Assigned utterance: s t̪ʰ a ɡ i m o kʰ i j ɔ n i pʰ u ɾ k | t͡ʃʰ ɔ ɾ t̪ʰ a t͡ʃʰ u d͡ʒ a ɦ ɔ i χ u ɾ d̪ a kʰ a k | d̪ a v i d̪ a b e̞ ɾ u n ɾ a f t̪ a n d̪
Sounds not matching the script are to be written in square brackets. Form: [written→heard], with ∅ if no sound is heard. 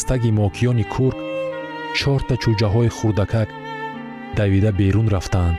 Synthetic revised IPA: s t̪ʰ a ɡ i m [o→ɔ] kʰ i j ɔ n i [pʰ→kʰ] u ɾ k | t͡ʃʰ ɔ ɾ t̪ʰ a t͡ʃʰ u d͡ʒ a ɦ ɔ i χ u ɾ d̪ a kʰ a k | d̪ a v i d̪ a b e̞ ɾ u n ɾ a f t̪ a n d̪